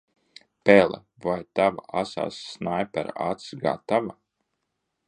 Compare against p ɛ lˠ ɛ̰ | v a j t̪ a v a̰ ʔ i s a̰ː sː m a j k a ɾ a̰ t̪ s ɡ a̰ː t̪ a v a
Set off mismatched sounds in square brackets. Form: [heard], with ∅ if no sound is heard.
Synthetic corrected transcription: p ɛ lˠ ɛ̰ | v a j t̪ a v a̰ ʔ [a] s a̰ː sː [n] a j [p] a ɾ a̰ t̪ s ɡ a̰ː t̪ a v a